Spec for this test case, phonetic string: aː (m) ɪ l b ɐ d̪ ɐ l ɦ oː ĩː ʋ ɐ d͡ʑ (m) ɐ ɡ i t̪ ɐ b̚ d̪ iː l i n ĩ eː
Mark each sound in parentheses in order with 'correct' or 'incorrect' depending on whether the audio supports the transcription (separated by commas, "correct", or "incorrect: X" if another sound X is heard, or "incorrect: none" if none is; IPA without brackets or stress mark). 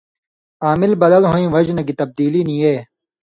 correct, incorrect: n